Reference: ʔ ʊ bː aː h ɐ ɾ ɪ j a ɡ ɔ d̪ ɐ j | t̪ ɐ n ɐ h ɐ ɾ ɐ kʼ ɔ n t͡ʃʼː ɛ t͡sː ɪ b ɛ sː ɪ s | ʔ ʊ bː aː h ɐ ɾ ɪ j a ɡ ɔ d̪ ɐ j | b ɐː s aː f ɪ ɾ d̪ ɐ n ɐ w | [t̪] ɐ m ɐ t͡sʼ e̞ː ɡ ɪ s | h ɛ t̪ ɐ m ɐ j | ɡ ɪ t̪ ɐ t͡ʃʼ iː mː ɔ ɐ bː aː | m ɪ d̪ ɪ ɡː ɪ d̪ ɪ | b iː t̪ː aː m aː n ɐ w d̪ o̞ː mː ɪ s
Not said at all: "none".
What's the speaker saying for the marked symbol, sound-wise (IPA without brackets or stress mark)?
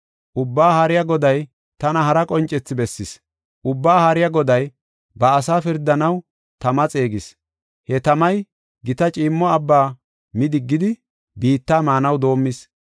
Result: t̪